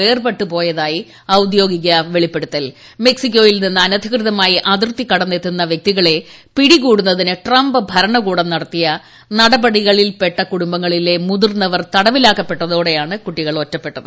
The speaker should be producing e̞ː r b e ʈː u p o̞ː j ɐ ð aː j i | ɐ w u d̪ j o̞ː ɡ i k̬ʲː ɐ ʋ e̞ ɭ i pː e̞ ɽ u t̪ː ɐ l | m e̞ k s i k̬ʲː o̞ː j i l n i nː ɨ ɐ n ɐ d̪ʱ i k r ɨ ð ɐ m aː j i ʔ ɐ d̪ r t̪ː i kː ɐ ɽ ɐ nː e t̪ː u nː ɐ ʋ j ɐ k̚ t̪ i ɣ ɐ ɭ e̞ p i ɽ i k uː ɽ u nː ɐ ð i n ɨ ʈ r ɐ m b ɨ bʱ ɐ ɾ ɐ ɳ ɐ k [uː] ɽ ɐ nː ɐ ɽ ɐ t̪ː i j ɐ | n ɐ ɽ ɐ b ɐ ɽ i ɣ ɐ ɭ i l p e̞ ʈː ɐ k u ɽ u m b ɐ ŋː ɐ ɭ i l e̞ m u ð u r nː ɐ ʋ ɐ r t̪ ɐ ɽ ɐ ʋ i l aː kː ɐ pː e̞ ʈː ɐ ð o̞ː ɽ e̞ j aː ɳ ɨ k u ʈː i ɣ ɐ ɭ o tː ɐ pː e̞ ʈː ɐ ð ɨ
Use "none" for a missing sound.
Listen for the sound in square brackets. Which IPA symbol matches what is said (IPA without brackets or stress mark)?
uː